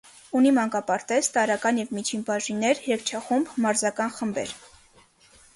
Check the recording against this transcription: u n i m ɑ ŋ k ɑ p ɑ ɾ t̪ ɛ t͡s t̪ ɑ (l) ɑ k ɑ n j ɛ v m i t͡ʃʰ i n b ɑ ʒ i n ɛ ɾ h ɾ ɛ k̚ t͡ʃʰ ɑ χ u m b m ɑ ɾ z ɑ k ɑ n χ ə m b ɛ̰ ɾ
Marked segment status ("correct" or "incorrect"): incorrect